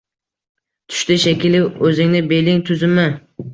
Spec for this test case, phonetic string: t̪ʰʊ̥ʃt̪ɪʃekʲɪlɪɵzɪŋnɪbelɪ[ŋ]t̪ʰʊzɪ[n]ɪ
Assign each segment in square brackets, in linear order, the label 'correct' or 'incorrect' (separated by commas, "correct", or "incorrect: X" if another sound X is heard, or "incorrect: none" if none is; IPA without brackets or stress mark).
correct, incorrect: m